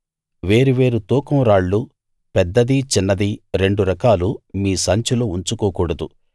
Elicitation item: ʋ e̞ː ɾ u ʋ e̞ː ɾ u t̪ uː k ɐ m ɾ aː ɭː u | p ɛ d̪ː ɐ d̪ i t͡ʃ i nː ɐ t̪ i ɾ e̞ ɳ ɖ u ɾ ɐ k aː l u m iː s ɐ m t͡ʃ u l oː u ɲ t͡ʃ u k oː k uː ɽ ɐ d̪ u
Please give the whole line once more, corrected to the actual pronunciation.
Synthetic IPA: ʋ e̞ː ɾ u ʋ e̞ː ɾ u t̪ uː k ɐ m ɾ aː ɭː u | p ɛ d̪ː ɐ d̪ i t͡ʃ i nː ɐ d̪ i ɾ e̞ ɳ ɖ u ɾ ɐ k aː l u m iː s ɐ ɲ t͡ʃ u l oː u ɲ t͡ʃ u k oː k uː ɽ ɐ d̪ u

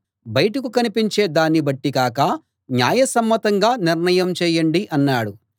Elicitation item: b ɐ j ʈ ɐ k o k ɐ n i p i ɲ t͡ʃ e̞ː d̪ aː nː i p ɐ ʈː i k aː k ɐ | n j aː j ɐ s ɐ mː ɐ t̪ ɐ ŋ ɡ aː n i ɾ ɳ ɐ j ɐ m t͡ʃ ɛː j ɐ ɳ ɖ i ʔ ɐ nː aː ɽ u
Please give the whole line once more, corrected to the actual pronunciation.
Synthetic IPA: b ɐ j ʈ ɐ k u k ɐ n i p i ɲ t͡ʃ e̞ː d̪ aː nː i b ɐ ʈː i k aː k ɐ | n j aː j ɐ s ɐ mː ɐ t̪ ɐ ŋ ɡ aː n i ɾ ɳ ɐ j ɐ m t͡ʃ ɛː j ɐ ɳ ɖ i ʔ ɐ nː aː ɽ u

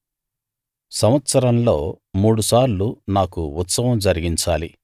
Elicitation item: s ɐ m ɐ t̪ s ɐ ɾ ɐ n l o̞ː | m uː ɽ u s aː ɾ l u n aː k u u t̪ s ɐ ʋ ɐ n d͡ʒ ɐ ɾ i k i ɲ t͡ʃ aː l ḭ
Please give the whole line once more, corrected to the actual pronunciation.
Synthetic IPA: s ɐ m ɐ t̪ s ɐ ɾ ɐ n l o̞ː | m uː ɽ u s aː ɾ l u n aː k u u t̪ s ɐ ʋ ɐ m d͡ʒ ɐ ɾ i ɡ i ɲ t͡ʃ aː l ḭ

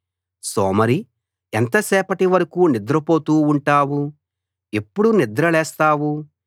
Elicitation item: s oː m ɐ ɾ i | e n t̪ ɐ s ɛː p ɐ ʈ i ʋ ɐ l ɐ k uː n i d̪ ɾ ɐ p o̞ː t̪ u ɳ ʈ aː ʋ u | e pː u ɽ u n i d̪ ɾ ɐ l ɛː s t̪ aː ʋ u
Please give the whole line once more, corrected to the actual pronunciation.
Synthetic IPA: s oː m ɐ ɾ i | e n t̪ ɐ s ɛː p ɐ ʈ i ʋ ɐ ɾ ɐ k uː n i d̪ ɾ ɐ p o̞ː t̪ uː ɳ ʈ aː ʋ u | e pː u ɽ u n i d̪ ɾ ɐ l ɛː s t̪ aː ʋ u

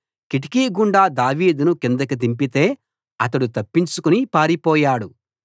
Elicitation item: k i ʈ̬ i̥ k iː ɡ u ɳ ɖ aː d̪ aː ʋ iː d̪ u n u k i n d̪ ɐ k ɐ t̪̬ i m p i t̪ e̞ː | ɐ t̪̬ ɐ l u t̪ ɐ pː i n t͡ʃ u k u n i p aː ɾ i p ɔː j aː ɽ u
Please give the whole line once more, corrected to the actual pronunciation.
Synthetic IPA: k i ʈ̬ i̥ k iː ɡ u ɳ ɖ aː d̪ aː ʋ iː d̪ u n u k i n d̪ ɐ k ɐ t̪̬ i m p i t̪ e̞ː | ɐ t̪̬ ɐ ɽ u t̪ ɐ pː i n t͡ʃ u k u n i p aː ɾ i p ɔː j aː ɽ u

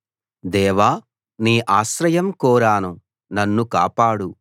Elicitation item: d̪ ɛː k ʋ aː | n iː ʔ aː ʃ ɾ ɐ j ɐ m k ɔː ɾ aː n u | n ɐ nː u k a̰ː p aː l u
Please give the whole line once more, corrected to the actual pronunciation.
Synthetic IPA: d̪ ɛː ʋ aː | n iː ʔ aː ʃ ɾ ɐ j ɐ m k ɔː ɾ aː n u | n ɐ nː u k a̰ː p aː ɽ u

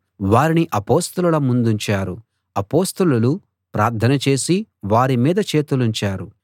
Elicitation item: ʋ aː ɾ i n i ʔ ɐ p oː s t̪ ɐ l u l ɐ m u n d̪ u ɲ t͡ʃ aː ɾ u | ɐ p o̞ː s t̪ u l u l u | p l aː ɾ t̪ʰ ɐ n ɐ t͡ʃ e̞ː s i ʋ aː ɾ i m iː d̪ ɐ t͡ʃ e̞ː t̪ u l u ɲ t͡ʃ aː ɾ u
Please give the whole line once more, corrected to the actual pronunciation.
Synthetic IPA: ʋ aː ɾ i n i ʔ ɐ p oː s t̪ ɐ l u l ɐ m u n d̪ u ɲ t͡ʃ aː ɾ u | ɐ p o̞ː s t̪ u l u l u | p ɾ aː ɾ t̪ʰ ɐ n ɐ t͡ʃ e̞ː s i ʋ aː ɾ i m iː d̪ ɐ t͡ʃ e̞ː t̪ u l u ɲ t͡ʃ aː ɾ u

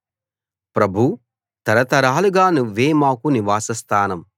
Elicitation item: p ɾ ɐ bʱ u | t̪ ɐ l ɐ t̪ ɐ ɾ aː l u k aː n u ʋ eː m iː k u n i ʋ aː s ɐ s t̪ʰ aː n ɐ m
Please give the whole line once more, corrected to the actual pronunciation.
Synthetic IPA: p ɾ ɐ bʱ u | t̪ ɐ ɾ ɐ t̪ ɐ ɾ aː l u ɡ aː n u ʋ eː m aː k u n i ʋ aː s ɐ s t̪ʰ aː n ɐ m

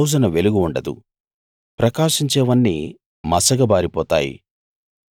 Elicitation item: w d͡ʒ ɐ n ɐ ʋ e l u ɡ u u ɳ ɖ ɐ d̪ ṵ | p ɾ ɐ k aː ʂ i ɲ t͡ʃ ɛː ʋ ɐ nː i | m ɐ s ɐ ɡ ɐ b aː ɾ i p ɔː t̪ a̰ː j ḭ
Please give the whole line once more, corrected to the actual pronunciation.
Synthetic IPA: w d͡ʒ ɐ n ɐ ʋ e l u ɡ u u ɳ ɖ ɐ d̪ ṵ | p ɾ ɐ k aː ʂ i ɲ t͡ʃ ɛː ʋ ɐ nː i | m ɐ s ɐ ɡ ɐ b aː ɾ i p ɔː t̪ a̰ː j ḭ

